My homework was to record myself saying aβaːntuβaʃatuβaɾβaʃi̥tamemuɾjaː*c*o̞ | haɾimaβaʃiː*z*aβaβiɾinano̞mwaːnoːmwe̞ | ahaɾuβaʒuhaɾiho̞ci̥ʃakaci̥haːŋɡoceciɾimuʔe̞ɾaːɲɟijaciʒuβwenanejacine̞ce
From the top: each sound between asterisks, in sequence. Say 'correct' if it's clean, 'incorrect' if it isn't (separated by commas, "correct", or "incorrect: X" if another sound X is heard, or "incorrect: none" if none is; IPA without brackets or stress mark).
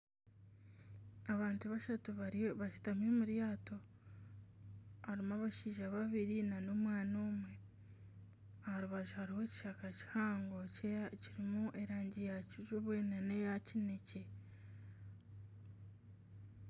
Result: incorrect: t, incorrect: ʒ